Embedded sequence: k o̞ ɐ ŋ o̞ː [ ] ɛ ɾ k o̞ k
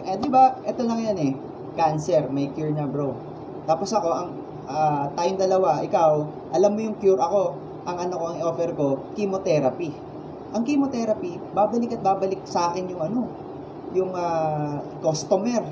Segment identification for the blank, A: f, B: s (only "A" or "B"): A